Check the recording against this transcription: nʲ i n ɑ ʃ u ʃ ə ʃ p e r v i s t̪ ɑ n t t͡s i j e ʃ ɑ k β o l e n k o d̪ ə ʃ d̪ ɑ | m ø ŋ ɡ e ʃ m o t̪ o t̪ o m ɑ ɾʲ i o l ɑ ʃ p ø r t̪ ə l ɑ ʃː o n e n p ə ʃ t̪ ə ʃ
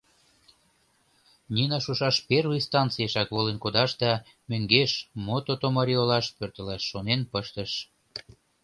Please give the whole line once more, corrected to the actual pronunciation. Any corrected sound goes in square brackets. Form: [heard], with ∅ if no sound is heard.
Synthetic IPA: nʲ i n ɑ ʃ u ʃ [ɑ] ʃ p e r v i s t̪ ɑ n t t͡s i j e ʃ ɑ k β o l e n k o d̪ [ɑ] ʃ d̪ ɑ | m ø ŋ ɡ e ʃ m o t̪ o t̪ o m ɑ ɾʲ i o l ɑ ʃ p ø r t̪ ə l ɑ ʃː o n e n p ə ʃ t̪ ə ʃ